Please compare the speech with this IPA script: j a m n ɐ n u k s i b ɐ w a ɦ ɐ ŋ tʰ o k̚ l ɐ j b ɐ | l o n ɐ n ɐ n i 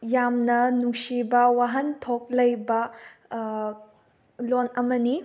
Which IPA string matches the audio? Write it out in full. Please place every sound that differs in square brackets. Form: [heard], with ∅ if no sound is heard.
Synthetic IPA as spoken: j a m n ɐ n u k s i b ɐ w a ɦ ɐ [n] tʰ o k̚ l ɐ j b ɐ | l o n ɐ [m] ɐ n i